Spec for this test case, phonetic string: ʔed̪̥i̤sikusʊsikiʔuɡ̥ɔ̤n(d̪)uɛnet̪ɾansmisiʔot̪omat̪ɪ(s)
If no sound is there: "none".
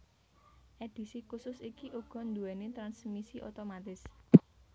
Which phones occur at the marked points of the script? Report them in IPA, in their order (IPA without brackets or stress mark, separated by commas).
d̪, s